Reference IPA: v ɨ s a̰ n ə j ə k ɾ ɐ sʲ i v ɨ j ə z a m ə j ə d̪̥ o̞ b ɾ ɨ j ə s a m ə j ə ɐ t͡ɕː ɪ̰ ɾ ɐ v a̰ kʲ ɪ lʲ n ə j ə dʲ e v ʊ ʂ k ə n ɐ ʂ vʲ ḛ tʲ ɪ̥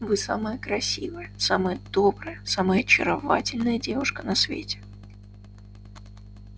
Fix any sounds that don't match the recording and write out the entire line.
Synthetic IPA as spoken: v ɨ s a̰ m ə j ə k ɾ ɐ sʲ i v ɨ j ə s a m ə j ə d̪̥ o̞ b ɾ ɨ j ə s a m ə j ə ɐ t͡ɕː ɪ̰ ɾ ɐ v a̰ tʲ ɪ lʲ n ə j ə dʲ e v ʊ ʂ k ə n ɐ s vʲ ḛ tʲ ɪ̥